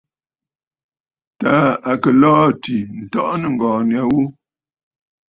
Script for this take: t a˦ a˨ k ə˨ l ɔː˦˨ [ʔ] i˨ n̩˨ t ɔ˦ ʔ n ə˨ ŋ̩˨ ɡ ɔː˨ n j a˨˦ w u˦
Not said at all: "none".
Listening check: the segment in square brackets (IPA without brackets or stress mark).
t